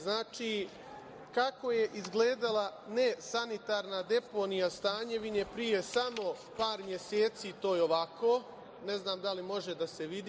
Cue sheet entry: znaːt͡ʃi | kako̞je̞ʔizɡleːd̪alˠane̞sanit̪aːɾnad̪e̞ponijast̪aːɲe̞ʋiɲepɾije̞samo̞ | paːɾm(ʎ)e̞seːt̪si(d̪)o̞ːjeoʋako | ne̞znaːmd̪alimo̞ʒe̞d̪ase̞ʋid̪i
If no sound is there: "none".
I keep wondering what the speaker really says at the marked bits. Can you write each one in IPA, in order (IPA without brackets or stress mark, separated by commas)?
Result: j, t̪